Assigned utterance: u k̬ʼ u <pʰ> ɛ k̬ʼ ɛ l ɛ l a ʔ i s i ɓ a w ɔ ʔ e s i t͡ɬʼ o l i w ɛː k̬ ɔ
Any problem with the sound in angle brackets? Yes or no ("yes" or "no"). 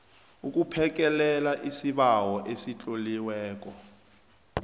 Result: no